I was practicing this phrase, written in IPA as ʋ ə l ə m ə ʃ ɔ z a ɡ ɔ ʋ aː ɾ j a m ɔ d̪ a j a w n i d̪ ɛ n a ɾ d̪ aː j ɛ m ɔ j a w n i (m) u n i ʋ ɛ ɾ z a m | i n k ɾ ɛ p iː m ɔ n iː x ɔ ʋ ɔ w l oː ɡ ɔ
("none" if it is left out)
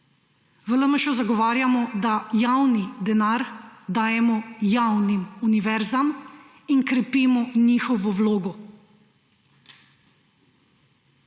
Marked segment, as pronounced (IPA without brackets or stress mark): m